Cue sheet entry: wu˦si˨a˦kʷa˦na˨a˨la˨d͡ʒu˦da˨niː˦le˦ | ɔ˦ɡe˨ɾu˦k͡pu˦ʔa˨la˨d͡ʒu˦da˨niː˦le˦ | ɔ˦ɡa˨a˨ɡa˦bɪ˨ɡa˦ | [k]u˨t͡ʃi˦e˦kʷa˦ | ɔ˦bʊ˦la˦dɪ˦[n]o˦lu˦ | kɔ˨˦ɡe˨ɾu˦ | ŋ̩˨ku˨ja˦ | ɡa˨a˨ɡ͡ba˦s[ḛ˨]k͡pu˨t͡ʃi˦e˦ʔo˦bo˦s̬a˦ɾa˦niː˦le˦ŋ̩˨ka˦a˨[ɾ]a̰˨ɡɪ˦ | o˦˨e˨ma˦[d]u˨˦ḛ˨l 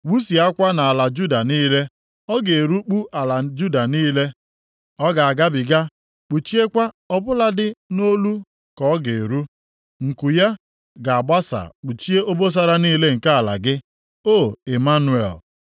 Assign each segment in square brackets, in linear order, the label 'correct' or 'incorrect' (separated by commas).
incorrect, correct, incorrect, incorrect, incorrect